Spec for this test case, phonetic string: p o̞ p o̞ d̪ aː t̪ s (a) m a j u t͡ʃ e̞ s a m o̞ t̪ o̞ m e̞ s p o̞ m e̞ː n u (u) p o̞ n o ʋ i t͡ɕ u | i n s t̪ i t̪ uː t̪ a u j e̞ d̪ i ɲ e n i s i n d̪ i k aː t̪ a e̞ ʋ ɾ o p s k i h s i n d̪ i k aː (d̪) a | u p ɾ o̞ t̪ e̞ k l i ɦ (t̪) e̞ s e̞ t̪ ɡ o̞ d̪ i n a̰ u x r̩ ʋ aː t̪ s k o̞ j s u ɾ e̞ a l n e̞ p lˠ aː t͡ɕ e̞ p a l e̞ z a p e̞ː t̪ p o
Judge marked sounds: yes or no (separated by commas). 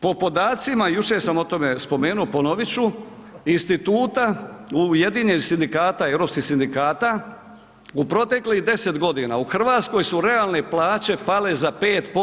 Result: no, no, no, no